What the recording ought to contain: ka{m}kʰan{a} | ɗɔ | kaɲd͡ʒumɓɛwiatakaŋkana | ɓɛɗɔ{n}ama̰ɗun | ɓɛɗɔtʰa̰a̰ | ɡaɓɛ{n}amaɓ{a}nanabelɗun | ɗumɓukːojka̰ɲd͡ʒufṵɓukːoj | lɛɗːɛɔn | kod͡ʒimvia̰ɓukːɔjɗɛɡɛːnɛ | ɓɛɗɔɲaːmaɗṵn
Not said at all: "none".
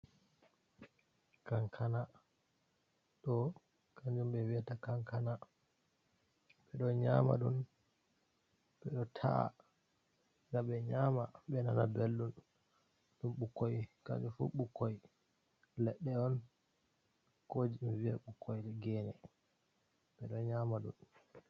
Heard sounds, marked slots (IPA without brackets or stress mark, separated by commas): ŋ, a, ɲ, ɲ, ɛ